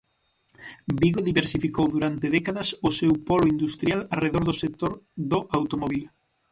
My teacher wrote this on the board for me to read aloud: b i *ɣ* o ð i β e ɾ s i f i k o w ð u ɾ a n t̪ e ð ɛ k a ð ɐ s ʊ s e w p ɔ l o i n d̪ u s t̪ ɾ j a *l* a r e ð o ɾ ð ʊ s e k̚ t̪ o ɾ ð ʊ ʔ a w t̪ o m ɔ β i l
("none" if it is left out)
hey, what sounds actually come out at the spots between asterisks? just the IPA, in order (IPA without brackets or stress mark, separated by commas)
ɣ, l